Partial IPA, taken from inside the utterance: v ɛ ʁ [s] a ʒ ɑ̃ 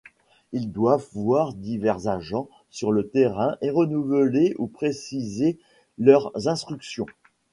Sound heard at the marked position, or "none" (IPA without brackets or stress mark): z